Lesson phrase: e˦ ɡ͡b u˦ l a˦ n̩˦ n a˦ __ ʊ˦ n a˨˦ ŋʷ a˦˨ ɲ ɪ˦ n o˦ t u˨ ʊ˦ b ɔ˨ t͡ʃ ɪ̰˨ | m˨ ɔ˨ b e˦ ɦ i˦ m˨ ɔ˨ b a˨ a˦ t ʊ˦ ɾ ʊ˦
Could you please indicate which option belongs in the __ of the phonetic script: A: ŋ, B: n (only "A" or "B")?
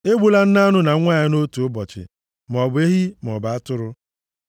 B